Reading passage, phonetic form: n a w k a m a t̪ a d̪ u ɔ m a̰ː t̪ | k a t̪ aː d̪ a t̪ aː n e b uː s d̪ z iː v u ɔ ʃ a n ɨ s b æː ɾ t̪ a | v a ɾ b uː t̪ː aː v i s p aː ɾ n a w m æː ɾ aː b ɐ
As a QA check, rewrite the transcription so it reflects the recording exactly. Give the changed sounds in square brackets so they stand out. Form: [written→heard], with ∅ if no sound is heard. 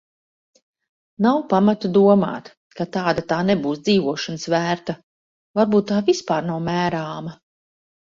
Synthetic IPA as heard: n a w [k→p] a m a t̪ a d̪ u ɔ m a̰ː t̪ | k a t̪ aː d̪ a t̪ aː n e b uː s d̪ z iː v u ɔ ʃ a n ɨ s [b→v] æː ɾ t̪ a | v a ɾ b uː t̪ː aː v i s p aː ɾ n a w m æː ɾ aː [b→m] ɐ